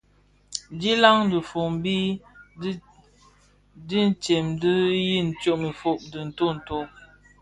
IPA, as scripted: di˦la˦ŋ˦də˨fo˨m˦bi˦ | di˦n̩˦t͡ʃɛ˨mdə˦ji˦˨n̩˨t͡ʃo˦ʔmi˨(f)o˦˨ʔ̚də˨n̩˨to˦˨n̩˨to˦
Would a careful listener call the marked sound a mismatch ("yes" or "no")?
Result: no